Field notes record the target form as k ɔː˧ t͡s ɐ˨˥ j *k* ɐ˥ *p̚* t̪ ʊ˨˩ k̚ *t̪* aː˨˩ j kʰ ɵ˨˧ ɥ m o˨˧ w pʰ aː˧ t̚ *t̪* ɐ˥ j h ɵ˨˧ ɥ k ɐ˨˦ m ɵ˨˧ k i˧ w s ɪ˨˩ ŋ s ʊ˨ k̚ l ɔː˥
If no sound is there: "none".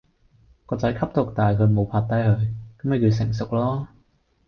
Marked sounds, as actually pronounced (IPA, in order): kʰ, p̚, t̪, t̪

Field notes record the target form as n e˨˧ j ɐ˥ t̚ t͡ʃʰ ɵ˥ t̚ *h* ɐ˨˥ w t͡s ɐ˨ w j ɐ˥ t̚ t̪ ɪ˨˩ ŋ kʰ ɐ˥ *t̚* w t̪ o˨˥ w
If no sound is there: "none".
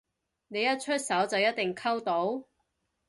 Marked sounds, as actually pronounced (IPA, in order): s, none

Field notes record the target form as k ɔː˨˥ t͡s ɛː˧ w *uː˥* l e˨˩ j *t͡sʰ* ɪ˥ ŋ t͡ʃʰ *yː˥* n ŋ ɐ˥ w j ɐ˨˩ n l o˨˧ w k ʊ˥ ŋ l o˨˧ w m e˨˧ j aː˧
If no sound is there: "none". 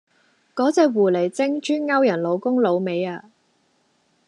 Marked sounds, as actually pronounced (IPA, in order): uː˨˩, t͡s, yː˥

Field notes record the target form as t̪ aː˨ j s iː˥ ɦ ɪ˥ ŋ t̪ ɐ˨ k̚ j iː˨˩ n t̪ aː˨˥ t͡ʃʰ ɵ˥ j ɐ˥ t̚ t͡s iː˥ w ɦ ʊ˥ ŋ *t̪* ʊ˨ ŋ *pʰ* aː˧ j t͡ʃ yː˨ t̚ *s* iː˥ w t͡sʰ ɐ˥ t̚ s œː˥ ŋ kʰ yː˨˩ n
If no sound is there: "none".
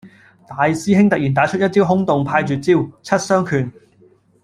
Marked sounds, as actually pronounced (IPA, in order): t̪, pʰ, t͡s

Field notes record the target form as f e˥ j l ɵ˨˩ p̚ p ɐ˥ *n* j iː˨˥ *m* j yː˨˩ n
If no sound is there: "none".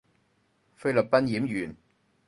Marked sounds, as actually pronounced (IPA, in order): n, m

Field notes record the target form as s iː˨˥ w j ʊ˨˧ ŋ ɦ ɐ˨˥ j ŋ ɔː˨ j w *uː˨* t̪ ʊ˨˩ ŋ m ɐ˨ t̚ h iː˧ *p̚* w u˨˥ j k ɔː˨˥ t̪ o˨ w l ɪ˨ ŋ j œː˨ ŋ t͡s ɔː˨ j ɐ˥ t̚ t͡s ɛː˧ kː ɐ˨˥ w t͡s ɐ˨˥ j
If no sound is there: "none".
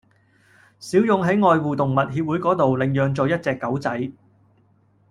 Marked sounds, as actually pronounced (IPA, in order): uː˨, p̚

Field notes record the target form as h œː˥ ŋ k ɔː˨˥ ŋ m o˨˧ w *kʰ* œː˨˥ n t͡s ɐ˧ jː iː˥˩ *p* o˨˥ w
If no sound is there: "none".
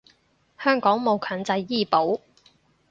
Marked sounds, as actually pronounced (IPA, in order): kʰ, p

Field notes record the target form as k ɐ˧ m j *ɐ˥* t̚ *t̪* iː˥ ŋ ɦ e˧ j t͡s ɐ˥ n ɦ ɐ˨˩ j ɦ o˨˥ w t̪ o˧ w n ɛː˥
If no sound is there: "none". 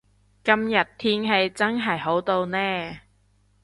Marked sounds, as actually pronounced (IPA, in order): ɐ˨˩, t̪ʰ

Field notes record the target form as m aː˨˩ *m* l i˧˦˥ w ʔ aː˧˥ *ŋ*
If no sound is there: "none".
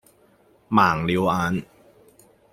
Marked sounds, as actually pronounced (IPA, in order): ŋ, n

